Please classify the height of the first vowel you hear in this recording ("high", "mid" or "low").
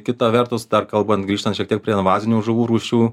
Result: high